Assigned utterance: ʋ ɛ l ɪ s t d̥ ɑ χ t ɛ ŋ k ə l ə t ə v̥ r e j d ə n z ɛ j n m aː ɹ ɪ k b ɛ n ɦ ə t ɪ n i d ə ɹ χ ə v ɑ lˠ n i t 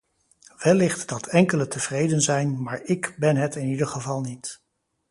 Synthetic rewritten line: ʋ ɛ l ɪ χ t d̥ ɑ t ɛ ŋ k ə l ə t ə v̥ r e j d ə n z ɛ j n m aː ɹ ɪ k b ɛ n ɦ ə t ɪ n i d ə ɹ χ ə v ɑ lˠ n i t